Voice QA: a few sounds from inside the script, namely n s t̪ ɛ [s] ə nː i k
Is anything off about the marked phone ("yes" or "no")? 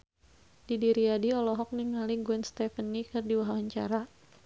yes